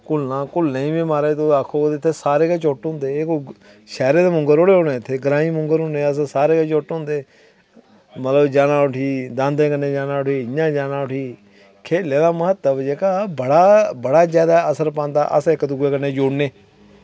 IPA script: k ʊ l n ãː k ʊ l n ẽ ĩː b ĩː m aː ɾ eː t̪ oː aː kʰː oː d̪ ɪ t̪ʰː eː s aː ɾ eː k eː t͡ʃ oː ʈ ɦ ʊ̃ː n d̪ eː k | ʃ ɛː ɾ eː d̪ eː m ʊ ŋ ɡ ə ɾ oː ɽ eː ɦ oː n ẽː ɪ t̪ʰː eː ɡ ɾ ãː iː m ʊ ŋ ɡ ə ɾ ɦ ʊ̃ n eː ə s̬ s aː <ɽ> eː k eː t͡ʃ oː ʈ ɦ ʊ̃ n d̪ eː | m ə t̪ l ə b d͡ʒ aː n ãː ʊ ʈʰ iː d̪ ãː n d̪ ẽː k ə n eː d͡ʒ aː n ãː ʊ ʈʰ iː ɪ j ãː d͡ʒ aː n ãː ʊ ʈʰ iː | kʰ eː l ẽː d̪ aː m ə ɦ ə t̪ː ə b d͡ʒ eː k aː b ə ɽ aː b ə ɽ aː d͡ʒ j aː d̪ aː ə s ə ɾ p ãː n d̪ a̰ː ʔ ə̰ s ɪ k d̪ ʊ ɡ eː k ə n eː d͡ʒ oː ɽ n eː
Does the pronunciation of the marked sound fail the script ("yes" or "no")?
yes